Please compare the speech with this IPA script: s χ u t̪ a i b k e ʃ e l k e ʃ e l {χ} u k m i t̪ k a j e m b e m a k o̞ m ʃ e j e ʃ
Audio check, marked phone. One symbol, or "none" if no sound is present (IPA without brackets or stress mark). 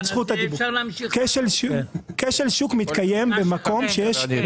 ʃ